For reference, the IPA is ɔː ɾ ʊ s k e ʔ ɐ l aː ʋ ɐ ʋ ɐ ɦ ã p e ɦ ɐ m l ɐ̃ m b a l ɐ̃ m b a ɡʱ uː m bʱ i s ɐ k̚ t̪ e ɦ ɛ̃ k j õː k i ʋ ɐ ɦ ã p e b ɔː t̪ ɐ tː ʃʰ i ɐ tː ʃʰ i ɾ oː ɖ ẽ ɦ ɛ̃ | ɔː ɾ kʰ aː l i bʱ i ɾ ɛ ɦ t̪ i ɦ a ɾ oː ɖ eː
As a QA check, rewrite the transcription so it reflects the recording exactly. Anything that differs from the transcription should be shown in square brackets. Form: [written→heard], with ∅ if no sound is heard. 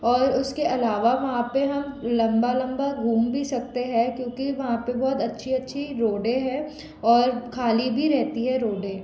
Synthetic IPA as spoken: ɔː ɾ ʊ s k e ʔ ɐ l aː ʋ [ɐ→a] ʋ ɐ ɦ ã p e ɦ ɐ m l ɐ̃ m b a l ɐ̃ m b a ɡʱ uː m bʱ i s ɐ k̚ t̪ e ɦ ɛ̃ k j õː k i ʋ ɐ ɦ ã p e b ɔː t̪ ɐ tː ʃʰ i ɐ tː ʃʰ i ɾ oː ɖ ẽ ɦ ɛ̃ | ɔː ɾ kʰ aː l i bʱ i ɾ ɛ ɦ t̪ i ɦ [a→ɛ] ɾ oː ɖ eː